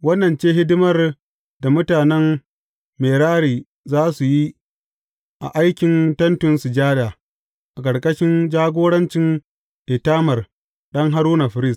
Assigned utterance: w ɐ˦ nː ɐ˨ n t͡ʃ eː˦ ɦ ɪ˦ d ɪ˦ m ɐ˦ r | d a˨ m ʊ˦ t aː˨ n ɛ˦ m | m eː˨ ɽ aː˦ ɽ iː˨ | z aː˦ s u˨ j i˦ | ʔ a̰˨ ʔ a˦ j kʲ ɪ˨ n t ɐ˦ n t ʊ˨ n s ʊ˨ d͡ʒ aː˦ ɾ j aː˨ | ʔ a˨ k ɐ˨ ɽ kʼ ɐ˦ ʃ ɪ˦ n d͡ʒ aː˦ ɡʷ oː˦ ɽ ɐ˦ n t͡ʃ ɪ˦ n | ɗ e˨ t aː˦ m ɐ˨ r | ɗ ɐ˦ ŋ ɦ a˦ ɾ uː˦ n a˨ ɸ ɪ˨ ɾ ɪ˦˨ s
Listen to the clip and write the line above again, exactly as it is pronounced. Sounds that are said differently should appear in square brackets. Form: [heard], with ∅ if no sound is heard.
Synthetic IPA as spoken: w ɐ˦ nː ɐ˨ n t͡ʃ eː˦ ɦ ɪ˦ d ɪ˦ m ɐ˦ r | d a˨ m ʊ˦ t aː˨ n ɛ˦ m | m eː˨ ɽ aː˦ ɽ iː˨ | z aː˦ s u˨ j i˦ | ʔ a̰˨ ʔ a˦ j kʲ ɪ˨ n t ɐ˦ n t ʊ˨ n s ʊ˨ d͡ʒ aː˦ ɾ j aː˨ | ʔ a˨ k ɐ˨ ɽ kʼ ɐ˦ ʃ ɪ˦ n d͡ʒ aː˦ ɡʷ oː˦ ɽ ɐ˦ n t͡ʃ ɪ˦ n | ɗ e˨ t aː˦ m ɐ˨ r | ɗ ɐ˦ ŋ ɦ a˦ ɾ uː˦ n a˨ ɸ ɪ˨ ɾ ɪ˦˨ s